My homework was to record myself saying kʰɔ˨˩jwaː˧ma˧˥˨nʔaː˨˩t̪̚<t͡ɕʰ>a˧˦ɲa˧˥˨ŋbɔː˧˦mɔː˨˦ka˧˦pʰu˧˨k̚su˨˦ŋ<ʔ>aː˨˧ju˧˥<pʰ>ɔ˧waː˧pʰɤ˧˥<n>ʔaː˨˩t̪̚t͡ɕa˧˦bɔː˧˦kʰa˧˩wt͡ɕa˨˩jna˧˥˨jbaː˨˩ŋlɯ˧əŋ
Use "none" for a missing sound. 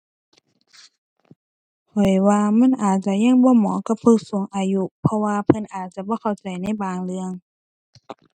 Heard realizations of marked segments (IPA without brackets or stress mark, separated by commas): t͡ɕ, ʔ, pʰ, n